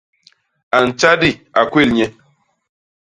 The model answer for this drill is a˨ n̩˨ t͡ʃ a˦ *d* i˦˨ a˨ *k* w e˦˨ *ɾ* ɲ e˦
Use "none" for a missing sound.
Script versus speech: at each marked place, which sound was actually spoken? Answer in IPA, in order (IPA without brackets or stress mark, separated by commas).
d, k, l